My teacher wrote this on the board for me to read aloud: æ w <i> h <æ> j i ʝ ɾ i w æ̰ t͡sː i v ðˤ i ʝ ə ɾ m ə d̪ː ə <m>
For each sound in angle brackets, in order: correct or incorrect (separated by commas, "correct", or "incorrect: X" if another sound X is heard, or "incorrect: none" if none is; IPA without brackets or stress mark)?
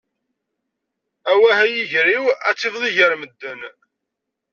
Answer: incorrect: æ, correct, incorrect: n